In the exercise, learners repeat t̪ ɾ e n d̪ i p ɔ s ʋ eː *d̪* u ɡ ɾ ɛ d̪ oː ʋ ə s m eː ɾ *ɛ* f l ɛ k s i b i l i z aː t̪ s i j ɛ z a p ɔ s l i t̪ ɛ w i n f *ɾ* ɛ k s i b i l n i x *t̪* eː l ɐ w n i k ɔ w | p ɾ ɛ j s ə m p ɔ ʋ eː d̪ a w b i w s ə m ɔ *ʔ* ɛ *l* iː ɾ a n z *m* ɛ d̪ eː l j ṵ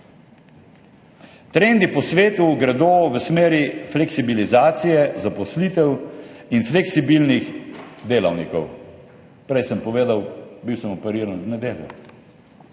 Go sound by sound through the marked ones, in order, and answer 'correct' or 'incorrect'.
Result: incorrect: t̪, incorrect: i, incorrect: l, incorrect: d̪, incorrect: p, incorrect: ɾ, incorrect: n

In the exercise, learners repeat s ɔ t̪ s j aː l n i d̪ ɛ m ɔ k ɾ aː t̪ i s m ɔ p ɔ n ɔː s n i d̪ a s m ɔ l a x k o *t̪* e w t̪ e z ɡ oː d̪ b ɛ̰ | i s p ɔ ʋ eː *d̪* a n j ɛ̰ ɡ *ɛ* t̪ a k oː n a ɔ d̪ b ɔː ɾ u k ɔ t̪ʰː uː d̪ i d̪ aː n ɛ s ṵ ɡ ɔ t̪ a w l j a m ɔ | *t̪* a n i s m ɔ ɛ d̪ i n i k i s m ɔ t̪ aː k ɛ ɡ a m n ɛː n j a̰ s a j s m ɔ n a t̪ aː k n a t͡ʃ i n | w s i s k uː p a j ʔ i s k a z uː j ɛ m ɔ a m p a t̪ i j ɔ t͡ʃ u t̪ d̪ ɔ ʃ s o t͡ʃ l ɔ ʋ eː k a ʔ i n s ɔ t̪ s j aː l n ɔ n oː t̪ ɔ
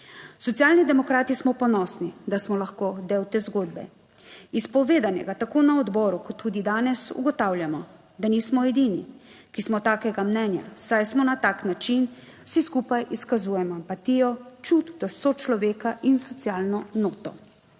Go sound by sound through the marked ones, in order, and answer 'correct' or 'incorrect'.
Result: incorrect: d̪, correct, incorrect: a, incorrect: d̪

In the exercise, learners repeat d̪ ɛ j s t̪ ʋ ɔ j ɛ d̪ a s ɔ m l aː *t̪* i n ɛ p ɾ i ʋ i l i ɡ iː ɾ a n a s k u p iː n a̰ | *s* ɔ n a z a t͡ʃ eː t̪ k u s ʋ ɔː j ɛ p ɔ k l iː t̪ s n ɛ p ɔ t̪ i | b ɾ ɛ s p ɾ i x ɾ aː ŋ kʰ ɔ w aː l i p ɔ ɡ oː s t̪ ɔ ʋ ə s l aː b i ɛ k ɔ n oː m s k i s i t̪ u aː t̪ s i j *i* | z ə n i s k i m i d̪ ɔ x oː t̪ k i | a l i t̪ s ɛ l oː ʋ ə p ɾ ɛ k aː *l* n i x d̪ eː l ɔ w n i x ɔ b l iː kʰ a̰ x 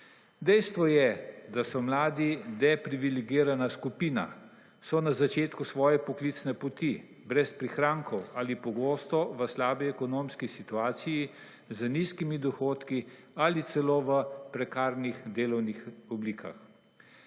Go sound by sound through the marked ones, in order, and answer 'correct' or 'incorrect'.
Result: incorrect: d̪, correct, correct, incorrect: ɾ

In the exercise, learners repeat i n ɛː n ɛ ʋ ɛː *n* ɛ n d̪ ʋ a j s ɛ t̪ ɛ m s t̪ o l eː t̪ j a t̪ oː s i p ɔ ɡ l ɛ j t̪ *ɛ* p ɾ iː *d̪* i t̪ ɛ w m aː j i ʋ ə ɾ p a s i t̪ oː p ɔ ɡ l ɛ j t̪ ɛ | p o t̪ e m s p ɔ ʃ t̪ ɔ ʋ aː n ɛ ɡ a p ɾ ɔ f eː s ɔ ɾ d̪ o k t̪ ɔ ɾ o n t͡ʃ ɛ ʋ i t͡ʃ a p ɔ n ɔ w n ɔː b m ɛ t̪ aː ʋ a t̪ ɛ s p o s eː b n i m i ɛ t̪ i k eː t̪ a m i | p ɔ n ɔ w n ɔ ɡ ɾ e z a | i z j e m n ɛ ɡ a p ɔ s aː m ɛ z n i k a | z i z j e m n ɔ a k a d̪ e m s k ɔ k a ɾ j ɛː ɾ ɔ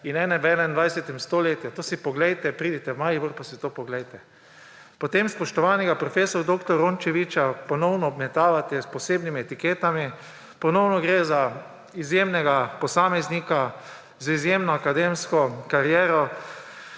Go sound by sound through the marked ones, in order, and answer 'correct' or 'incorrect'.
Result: correct, correct, correct

